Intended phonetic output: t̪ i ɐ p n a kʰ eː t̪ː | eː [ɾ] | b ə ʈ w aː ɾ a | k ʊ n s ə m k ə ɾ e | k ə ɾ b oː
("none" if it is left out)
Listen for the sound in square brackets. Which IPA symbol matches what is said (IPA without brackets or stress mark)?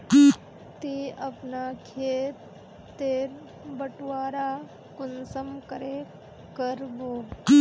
ɾ